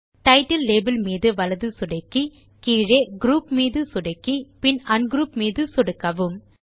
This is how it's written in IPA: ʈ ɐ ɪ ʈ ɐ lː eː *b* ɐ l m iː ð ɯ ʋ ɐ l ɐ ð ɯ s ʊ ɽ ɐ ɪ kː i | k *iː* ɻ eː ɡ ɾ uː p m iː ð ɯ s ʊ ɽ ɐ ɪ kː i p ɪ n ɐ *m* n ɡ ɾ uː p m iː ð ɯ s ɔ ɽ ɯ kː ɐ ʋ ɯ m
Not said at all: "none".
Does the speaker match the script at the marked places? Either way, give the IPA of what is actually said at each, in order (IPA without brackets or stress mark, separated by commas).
b, iː, none